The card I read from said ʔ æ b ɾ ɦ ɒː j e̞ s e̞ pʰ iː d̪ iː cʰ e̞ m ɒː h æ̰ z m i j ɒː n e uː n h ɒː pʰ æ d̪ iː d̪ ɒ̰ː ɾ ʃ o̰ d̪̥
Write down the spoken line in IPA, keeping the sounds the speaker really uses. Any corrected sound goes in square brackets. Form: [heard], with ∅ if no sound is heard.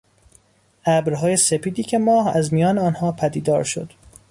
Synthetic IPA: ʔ æ b ɾ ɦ ɒː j e̞ s e̞ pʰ iː d̪ iː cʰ e̞ m ɒː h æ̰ z m i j ɒː n e [ɒː] n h ɒː pʰ æ d̪ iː d̪ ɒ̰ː ɾ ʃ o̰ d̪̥